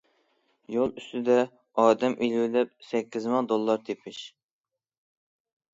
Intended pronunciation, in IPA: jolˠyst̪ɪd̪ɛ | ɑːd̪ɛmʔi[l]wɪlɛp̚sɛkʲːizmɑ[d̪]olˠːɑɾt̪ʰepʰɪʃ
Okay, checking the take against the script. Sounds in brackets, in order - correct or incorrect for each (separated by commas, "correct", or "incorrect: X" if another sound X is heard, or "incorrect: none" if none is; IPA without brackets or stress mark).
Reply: correct, correct